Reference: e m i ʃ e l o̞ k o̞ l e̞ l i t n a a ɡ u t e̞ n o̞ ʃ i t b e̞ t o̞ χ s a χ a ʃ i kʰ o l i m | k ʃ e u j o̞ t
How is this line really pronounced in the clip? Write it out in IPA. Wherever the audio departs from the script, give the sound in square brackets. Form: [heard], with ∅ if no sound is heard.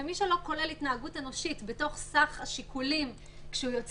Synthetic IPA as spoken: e m i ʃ e l o̞ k o̞ l e̞ l i t n a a ɡ u t e̞ n o̞ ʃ i t b e̞ t o̞ χ s a χ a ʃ i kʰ [u] l i m | k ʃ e u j o̞ [t͡s]